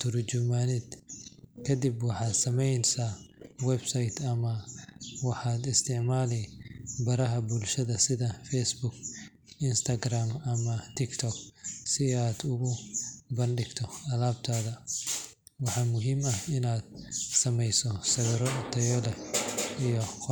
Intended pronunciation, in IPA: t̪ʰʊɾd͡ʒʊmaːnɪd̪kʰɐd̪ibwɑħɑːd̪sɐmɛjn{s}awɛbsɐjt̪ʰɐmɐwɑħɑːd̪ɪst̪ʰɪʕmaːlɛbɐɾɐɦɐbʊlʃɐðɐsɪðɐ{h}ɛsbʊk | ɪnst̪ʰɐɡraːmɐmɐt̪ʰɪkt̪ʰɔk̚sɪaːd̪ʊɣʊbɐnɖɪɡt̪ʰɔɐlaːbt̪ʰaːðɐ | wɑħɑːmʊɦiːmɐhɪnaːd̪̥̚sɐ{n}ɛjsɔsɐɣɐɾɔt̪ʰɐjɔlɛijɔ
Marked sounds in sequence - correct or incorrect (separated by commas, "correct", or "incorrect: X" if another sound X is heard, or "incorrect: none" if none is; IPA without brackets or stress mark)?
correct, incorrect: f, incorrect: m